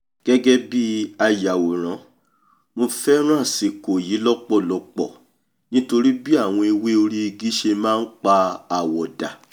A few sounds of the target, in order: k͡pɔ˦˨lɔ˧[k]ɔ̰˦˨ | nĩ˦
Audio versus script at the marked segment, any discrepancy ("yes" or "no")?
yes